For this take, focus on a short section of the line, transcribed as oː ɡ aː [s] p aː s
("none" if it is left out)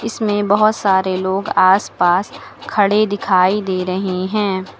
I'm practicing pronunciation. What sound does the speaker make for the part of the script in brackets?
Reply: s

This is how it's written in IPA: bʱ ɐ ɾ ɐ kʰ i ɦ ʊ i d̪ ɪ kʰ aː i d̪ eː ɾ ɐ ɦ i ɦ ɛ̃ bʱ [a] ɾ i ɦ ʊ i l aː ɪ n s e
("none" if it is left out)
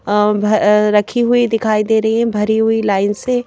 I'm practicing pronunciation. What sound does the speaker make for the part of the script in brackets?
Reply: ɐ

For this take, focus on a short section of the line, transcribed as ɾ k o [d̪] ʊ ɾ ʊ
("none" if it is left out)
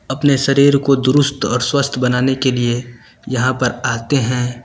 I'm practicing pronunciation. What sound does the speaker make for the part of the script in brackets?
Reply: d̪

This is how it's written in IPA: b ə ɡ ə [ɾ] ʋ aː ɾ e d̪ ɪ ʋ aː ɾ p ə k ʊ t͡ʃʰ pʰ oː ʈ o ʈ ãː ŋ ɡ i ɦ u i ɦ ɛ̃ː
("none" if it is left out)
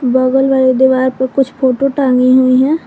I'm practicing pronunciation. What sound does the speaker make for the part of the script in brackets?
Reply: l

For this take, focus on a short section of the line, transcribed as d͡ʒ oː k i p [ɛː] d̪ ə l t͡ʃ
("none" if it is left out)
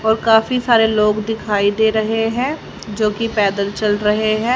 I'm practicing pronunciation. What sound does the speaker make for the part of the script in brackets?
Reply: ɛː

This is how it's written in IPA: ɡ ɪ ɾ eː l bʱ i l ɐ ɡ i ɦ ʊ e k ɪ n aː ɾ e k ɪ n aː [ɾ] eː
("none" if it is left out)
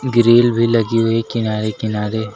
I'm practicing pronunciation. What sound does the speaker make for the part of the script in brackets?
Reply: ɾ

